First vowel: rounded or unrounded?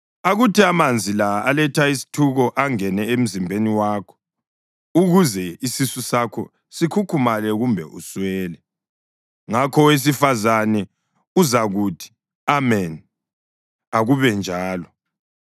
unrounded